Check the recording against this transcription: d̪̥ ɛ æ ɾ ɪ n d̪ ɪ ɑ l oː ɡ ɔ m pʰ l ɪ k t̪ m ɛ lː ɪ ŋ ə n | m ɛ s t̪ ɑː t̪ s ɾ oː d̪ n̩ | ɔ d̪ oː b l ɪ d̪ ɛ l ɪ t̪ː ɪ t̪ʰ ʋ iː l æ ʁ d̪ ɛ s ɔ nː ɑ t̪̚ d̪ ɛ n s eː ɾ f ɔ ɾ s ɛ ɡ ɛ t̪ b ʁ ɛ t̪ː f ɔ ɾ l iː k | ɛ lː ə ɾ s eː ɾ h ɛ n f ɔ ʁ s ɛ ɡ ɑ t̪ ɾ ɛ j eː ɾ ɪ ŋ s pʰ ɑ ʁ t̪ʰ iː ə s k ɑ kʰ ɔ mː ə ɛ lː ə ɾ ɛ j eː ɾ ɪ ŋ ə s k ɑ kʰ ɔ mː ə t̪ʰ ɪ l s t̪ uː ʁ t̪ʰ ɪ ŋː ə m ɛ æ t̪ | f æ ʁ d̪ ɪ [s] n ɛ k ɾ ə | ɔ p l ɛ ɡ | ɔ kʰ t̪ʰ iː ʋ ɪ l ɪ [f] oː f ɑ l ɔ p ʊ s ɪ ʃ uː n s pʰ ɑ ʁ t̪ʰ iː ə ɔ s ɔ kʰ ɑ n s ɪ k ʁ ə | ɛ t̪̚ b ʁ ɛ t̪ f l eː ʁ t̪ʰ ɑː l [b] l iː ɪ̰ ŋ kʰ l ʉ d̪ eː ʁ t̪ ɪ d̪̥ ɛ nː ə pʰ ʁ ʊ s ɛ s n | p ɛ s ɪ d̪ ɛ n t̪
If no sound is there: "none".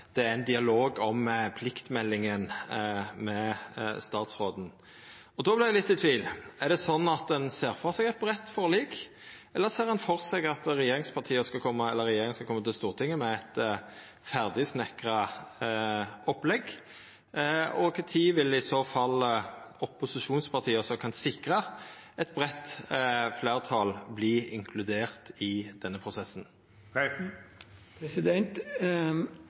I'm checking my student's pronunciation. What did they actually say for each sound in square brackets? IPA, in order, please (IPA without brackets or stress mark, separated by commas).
s, s, b